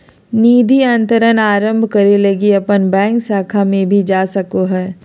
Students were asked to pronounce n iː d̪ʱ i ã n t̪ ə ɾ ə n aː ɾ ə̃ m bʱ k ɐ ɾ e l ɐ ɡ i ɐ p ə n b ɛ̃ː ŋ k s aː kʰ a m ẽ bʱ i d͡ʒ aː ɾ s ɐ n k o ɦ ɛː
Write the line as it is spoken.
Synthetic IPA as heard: n iː d̪ʱ i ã n t̪ ə ɾ ə n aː ɾ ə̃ m bʱ k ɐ ɾ e l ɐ ɡ i ɐ p ə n b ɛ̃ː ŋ k s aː kʰ a m ẽ bʱ i d͡ʒ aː s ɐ k o ɦ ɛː